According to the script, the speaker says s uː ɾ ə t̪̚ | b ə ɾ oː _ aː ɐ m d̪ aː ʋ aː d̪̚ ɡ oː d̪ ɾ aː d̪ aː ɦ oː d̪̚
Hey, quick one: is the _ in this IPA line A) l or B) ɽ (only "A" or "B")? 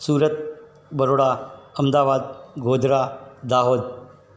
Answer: B